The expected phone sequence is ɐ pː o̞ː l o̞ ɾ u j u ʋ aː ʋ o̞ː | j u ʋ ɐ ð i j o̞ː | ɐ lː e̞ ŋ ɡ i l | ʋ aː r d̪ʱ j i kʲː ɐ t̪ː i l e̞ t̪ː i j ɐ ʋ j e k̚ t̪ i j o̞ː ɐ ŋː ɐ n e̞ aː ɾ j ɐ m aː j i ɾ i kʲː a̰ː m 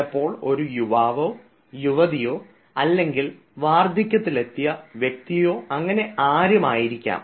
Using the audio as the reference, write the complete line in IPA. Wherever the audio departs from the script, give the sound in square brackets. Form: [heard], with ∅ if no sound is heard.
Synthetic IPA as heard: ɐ pː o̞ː [ɭ] o̞ ɾ u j u ʋ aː ʋ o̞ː | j u ʋ ɐ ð i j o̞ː | ɐ lː e̞ ŋ ɡ i l | ʋ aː r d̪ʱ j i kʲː ɐ t̪ː i l e̞ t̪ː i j ɐ ʋ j e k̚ t̪ i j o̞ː ɐ ŋː ɐ n e̞ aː ɾ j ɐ m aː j i ɾ i kʲː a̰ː m